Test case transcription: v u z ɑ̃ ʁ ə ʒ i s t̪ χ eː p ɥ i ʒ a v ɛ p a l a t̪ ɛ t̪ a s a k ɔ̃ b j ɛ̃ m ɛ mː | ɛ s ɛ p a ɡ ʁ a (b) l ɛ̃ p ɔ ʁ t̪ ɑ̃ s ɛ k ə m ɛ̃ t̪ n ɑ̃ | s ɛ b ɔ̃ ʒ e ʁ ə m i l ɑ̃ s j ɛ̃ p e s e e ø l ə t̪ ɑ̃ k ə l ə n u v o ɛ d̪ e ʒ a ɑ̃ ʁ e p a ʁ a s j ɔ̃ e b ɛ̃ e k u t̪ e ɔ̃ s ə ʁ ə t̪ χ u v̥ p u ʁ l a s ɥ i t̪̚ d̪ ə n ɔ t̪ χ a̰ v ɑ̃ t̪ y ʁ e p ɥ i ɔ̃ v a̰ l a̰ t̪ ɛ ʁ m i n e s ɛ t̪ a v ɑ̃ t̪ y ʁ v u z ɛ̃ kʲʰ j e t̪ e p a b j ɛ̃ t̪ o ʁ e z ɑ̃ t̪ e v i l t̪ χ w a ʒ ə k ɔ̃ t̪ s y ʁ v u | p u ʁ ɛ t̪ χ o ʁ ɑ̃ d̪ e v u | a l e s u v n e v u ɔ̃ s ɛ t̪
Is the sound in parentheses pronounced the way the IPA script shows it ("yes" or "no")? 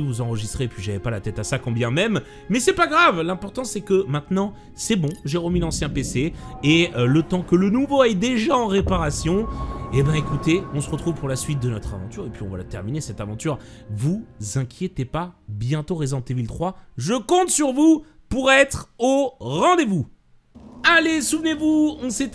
no